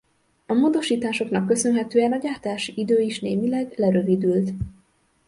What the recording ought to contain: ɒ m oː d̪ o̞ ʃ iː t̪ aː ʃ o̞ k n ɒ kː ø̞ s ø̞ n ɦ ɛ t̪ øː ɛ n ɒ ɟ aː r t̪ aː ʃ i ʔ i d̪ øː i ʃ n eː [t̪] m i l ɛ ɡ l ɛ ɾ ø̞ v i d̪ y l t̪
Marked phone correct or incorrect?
incorrect